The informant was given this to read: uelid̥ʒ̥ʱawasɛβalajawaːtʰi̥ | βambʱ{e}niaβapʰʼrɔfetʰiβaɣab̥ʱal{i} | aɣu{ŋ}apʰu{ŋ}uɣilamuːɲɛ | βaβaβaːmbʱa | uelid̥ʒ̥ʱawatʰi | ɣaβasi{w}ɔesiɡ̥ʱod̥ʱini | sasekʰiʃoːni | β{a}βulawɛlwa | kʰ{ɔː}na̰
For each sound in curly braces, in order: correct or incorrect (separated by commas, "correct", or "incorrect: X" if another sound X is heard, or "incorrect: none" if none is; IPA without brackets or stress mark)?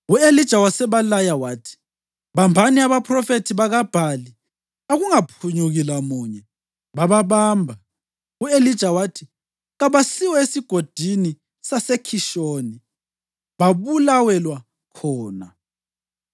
incorrect: a, correct, correct, incorrect: ɲ, correct, correct, correct